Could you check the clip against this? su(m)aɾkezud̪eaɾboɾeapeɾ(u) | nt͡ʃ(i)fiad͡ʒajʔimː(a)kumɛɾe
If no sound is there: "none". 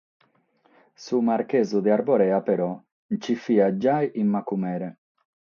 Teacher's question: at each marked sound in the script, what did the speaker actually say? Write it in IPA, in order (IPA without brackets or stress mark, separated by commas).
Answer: m, ɔ, i, a